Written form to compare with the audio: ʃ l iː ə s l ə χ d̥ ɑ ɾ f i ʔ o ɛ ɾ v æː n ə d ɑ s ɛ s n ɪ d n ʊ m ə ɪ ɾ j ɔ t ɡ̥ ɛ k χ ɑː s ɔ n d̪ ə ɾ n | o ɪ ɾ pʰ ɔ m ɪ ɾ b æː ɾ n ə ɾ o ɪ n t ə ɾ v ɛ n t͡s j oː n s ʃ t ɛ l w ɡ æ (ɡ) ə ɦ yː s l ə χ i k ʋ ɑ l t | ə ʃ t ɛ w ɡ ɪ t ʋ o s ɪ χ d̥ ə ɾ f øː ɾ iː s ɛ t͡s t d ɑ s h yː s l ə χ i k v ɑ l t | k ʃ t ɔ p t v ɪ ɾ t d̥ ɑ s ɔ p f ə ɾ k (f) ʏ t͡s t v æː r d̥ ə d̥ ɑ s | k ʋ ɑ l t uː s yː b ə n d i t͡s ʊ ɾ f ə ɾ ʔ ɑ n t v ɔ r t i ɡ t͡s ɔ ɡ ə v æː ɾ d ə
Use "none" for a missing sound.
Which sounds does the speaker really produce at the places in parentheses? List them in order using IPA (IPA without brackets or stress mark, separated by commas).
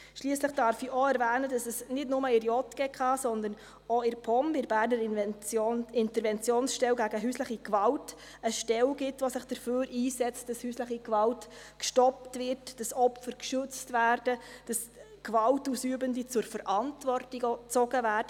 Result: ɡ, ʃ